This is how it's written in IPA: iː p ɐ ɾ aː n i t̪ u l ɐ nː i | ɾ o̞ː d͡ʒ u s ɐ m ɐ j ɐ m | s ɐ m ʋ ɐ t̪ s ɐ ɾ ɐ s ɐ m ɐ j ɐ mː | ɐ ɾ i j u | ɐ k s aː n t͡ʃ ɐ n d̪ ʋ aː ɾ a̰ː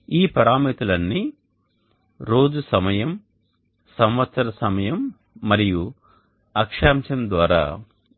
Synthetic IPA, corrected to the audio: iː p ɐ ɾ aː m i t̪ u l ɐ nː i | ɾ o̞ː d͡ʒ u s ɐ m ɐ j ɐ m | s ɐ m ʋ ɐ t̪ s ɐ ɾ ɐ s ɐ m ɐ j ɐ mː | ɐ ɾ i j u | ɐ k ʂ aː m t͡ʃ ɐ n d̪ ʋ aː ɾ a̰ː